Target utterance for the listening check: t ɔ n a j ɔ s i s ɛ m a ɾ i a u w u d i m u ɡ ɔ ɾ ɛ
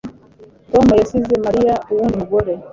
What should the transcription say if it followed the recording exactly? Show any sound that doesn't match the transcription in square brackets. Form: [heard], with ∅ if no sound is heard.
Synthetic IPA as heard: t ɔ [m] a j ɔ s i [z] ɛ m a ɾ i a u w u [n] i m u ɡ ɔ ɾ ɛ